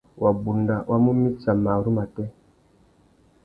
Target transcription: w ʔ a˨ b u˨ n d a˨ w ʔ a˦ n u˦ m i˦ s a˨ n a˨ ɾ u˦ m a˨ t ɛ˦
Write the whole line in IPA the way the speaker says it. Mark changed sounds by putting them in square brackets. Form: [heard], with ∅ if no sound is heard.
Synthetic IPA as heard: w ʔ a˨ b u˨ n d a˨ w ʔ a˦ [m] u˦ m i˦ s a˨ [m] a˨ ɾ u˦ m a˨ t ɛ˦